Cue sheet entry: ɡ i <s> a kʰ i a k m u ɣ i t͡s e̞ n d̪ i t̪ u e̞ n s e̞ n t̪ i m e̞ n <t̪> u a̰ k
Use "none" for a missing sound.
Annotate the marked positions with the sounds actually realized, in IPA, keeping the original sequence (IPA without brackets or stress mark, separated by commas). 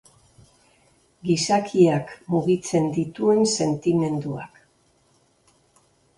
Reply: s, d̪